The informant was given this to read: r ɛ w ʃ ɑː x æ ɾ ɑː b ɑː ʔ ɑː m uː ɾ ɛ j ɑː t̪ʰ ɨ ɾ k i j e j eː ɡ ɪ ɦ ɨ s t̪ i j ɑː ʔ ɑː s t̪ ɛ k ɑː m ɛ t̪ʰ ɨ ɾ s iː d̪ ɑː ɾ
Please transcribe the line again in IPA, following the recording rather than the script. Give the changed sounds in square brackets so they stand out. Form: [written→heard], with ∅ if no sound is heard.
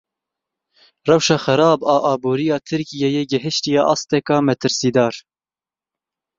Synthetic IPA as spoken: r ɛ w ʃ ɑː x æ ɾ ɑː b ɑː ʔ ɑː [m→b] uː ɾ [ɛ→i] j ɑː t̪ʰ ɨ ɾ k i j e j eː ɡ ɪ ɦ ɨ [s→ʃ] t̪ i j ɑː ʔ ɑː s t̪ ɛ k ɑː m ɛ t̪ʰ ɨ ɾ s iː d̪ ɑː ɾ